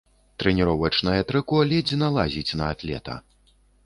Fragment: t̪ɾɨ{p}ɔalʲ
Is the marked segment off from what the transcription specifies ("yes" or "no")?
yes